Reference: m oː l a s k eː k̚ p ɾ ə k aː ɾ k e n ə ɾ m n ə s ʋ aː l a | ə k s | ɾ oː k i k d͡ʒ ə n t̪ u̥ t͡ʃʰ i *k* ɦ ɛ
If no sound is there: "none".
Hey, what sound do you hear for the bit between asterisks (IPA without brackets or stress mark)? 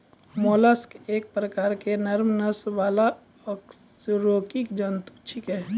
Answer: k